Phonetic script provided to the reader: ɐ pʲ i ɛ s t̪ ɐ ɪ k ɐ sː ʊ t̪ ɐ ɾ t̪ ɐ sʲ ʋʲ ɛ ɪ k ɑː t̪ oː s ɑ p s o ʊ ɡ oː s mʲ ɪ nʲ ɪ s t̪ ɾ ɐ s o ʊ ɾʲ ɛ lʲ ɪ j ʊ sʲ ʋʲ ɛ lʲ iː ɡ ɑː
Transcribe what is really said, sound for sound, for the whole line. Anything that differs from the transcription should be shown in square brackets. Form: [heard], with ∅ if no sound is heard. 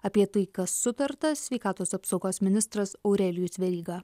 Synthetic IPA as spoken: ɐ pʲ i ɛ [∅] t̪ ɐ ɪ k ɐ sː ʊ t̪ ɐ ɾ t̪ ɐ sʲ ʋʲ ɛ ɪ k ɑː t̪ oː s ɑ p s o ʊ ɡ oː s mʲ ɪ nʲ ɪ s t̪ ɾ ɐ s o ʊ ɾʲ ɛ lʲ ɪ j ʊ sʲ ʋʲ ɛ [ɾʲ] iː ɡ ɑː